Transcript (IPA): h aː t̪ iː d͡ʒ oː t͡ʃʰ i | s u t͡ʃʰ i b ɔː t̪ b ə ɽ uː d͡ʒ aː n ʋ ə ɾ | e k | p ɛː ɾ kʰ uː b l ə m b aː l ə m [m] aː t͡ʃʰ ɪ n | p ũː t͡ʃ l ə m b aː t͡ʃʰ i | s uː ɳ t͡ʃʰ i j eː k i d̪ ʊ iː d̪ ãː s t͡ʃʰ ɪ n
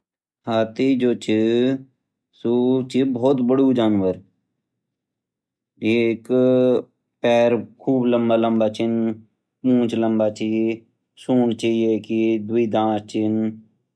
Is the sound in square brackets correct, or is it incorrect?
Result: incorrect